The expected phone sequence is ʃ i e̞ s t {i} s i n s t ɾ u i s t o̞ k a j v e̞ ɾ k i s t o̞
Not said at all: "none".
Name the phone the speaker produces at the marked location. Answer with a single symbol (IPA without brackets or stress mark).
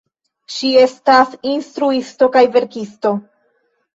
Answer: a